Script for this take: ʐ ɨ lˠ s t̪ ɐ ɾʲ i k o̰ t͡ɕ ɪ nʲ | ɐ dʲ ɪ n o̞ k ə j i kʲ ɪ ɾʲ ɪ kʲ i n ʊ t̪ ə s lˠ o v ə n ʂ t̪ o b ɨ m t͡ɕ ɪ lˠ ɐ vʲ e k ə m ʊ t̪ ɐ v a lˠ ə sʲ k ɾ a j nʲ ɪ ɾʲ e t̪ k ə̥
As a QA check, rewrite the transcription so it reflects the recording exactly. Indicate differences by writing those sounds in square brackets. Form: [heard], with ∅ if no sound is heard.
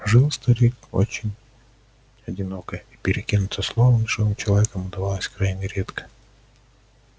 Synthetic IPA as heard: ʐ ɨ lˠ s t̪ ɐ ɾʲ i k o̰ t͡ɕ ɪ nʲ | ɐ dʲ ɪ n o̞ k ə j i [pʲ] ɪ ɾʲ ɪ kʲ i n ʊ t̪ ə s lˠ o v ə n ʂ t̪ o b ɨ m t͡ɕ ɪ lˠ ɐ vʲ e k ə m ʊ [d̪] ɐ v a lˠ ə sʲ k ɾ a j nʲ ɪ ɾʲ e t̪ k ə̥